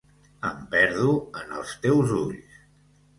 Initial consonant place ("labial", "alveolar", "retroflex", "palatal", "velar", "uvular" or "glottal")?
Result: labial